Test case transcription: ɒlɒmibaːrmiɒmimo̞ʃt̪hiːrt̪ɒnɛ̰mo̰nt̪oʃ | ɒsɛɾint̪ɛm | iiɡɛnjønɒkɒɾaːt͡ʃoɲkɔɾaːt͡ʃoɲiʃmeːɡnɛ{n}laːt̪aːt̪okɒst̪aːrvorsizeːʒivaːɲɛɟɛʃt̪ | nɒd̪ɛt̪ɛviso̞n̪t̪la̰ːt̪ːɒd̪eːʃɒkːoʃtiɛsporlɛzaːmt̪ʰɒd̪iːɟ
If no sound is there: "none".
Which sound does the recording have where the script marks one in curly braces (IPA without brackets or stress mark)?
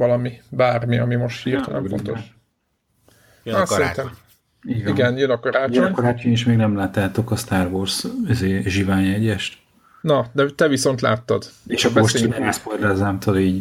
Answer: m